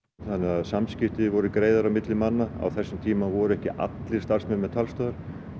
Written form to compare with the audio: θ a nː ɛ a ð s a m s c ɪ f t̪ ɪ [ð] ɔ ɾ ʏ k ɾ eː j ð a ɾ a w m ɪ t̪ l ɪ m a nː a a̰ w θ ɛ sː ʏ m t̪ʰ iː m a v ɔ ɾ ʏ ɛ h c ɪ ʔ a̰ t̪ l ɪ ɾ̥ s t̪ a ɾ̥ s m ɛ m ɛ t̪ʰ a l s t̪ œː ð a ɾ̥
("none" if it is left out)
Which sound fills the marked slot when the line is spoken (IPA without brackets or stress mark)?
v